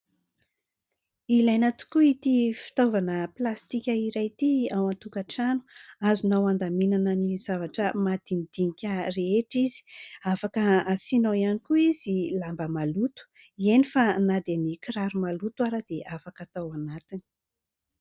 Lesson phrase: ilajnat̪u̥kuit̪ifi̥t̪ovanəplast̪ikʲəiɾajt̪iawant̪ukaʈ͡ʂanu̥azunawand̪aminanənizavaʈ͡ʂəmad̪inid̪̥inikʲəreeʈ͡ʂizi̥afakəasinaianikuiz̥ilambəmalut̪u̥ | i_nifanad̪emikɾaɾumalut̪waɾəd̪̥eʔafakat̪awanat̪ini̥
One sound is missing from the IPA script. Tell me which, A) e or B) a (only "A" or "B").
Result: A